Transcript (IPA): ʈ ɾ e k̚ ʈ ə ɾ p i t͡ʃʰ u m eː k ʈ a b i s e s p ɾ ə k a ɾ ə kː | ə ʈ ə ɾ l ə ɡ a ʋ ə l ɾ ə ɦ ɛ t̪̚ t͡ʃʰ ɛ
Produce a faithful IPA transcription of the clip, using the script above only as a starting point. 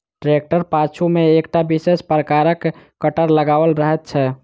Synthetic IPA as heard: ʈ ɾ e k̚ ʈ ə ɾ p a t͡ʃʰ u m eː k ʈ a b i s e s p ɾ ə k a ɾ ə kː | ə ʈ ə ɾ l ə ɡ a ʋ ə l ɾ ə ɦ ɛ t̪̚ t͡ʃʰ ɛ